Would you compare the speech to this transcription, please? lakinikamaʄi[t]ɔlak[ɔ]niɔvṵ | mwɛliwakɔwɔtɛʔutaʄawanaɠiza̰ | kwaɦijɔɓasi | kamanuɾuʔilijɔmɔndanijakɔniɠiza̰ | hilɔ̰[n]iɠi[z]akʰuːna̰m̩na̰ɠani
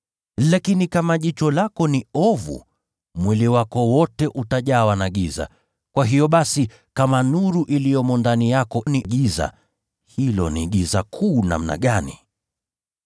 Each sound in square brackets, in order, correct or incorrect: incorrect: t͡ʃ, correct, correct, correct

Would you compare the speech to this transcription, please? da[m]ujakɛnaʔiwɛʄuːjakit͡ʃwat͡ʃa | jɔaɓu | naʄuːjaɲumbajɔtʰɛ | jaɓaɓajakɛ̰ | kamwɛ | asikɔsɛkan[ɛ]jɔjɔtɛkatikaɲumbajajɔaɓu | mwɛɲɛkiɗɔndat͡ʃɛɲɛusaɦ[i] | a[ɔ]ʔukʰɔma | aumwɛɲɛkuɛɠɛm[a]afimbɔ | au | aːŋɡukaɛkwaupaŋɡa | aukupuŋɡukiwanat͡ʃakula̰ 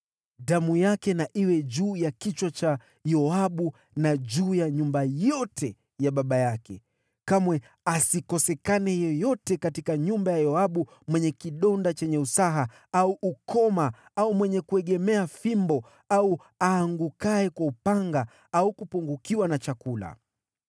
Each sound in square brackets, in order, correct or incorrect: correct, correct, incorrect: a, incorrect: u, incorrect: ɛ

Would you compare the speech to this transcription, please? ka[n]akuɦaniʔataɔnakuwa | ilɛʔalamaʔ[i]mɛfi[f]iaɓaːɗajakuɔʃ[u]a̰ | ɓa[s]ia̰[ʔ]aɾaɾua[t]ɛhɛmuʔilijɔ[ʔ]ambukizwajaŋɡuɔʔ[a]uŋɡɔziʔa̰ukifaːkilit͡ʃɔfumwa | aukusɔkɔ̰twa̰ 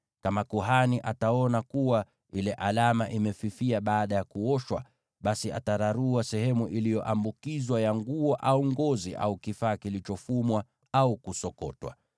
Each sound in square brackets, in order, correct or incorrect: incorrect: m, correct, correct, incorrect: w, correct, incorrect: t, incorrect: s, correct, correct

